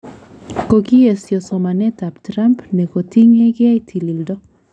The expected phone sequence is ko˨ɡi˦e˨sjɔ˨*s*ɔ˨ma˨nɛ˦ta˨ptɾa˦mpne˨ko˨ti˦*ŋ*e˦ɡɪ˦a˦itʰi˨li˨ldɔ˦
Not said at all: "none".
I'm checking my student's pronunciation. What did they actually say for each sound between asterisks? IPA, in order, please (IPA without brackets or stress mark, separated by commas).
s, ŋ